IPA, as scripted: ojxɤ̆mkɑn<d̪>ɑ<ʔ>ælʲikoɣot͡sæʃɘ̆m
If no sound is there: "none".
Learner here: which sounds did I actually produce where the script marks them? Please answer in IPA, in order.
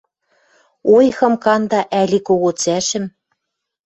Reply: d̪, ʔ

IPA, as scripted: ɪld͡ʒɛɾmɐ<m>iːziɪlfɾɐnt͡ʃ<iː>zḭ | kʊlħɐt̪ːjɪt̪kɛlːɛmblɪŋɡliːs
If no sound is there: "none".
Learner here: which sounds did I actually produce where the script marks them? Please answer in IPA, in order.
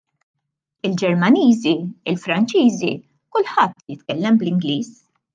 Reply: n, iː

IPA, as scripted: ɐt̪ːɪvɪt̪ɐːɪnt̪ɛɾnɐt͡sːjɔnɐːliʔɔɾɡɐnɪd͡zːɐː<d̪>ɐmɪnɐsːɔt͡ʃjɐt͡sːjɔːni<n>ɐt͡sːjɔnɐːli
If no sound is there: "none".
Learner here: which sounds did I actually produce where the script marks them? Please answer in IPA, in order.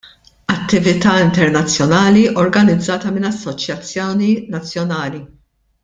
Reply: t̪, n

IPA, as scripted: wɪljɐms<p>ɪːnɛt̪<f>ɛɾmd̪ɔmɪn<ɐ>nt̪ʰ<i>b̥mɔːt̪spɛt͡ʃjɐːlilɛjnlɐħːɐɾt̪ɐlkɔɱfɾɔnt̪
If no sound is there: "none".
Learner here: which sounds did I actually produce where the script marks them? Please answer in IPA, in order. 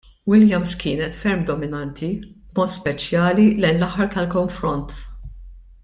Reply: k, f, ɐ, i

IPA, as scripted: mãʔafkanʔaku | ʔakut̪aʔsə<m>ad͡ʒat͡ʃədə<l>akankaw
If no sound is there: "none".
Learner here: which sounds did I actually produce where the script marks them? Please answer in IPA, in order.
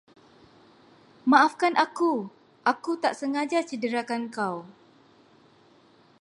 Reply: ŋ, ɾ

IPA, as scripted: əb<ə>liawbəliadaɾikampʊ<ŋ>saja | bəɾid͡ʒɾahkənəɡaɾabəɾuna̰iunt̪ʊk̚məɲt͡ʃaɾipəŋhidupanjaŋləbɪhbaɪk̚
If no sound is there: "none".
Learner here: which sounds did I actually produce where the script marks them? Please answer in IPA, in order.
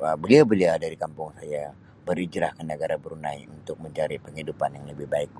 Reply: ə, ŋ

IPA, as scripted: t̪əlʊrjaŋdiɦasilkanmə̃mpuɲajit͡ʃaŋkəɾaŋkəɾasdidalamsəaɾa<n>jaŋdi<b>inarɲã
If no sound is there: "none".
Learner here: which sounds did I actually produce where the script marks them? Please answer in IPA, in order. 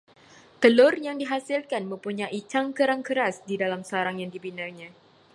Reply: ŋ, b

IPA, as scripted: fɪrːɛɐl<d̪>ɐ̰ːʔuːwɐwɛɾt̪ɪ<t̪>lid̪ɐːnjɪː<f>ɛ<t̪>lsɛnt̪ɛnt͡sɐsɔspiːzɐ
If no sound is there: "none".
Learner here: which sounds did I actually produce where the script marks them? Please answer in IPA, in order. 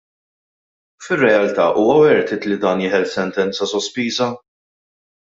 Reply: t̪, t̪, ħ, none

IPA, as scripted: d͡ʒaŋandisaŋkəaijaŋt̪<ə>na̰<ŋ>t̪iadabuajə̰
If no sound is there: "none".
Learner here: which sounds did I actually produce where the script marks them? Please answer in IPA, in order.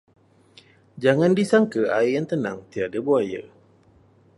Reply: ə, ŋ

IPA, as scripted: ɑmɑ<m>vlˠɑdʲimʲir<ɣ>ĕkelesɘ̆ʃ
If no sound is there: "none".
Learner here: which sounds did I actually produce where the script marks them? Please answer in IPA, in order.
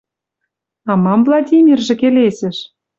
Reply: m, ʒ

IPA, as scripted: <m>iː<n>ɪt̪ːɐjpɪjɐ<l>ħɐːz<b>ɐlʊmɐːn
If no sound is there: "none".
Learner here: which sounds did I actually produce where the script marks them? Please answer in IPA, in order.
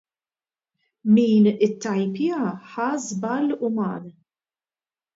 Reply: m, n, none, b

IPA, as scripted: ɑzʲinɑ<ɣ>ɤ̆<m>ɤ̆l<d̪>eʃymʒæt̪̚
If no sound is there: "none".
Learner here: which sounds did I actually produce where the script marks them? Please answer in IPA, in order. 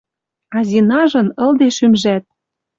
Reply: ʒ, n, d̪

